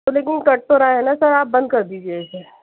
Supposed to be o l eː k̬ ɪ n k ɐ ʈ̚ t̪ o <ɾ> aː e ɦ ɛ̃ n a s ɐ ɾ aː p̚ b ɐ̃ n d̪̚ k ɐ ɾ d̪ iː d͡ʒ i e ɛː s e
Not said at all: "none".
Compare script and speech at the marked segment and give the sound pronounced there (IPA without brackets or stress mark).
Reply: ɾ